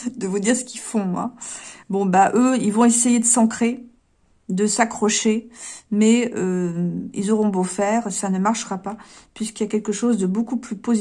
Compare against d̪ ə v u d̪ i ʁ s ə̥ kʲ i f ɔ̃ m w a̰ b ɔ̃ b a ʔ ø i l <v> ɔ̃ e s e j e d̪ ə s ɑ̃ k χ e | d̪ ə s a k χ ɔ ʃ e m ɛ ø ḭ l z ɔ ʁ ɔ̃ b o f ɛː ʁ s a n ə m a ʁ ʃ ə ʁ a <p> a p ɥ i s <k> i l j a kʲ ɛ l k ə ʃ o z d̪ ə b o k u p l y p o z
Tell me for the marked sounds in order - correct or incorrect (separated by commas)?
correct, correct, correct